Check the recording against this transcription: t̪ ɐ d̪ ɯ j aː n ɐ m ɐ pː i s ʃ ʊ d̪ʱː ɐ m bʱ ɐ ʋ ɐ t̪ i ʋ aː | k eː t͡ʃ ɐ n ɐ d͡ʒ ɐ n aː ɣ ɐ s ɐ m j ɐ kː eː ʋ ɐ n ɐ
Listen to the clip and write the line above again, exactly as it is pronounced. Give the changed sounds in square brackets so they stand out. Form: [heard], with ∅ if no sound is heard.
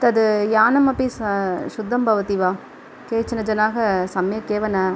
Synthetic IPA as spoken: t̪ ɐ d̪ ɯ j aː n ɐ m ɐ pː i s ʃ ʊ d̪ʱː ɐ m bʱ ɐ ʋ ɐ t̪ i ʋ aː | k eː t͡ʃ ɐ n ɐ d͡ʒ ɐ n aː ɣ ɐ s ɐ m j ɐ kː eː ʋ ɐ n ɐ